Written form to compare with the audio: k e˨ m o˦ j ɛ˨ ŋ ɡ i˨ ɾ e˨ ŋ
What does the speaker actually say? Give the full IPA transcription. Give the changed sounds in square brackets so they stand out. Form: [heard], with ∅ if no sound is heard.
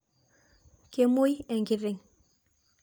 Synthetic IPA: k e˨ m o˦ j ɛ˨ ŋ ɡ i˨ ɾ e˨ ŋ